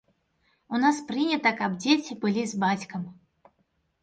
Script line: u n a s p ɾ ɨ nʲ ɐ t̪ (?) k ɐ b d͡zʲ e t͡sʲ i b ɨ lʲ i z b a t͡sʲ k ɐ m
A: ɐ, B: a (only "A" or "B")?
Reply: A